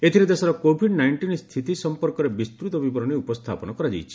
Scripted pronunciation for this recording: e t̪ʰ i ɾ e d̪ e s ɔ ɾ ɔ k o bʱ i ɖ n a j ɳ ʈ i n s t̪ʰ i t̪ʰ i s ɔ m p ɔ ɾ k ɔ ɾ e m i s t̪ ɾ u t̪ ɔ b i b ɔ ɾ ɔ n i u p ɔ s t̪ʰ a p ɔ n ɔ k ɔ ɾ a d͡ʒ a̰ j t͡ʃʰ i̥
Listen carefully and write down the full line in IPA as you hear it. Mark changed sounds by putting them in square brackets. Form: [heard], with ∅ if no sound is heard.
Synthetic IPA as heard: e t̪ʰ i ɾ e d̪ e s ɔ ɾ ɔ k o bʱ i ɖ n a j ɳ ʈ i n s t̪ʰ i [t̪] i s ɔ m p ɔ ɾ k ɔ ɾ e [b] i s t̪ ɾ u t̪ ɔ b i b ɔ ɾ ɔ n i u p ɔ s t̪ʰ a p ɔ n ɔ k ɔ ɾ a d͡ʒ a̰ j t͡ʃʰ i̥